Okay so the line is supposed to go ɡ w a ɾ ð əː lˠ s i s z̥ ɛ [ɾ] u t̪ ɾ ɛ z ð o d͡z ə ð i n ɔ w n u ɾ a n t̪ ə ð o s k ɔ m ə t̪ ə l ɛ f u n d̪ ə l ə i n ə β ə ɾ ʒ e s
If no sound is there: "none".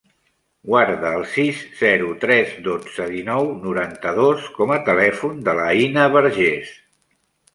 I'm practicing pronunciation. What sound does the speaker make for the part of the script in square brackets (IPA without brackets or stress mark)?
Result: ɾ